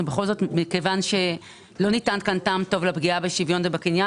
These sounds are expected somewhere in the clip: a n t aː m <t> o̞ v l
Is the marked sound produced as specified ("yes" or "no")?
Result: yes